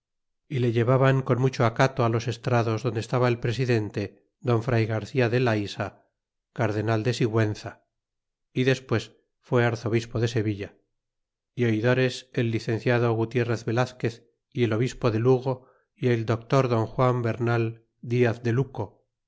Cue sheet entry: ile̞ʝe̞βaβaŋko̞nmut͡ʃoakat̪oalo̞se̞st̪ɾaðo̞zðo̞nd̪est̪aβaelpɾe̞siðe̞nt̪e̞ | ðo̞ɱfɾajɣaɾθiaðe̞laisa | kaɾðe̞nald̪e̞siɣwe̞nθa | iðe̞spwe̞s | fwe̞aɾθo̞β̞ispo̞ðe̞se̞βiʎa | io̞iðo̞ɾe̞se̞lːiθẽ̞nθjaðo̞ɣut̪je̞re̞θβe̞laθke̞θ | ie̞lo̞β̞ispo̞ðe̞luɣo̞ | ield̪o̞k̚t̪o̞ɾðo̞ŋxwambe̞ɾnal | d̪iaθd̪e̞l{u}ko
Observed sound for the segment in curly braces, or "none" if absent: u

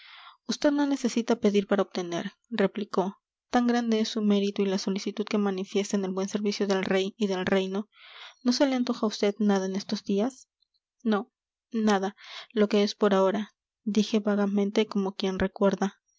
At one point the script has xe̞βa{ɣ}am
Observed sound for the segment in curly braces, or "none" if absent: ɣ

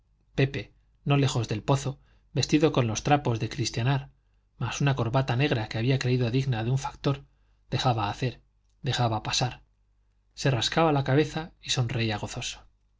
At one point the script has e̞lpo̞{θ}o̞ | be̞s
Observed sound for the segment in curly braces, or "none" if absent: θ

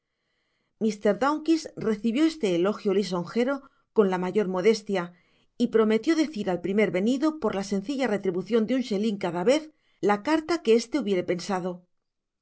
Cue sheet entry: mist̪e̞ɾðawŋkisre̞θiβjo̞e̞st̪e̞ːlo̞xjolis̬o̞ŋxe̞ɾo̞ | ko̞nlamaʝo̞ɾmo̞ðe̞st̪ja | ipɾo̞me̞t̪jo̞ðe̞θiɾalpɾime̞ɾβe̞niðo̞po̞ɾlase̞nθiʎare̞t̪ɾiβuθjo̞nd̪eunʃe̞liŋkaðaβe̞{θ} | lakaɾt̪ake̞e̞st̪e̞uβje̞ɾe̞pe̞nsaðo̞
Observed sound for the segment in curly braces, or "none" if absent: θ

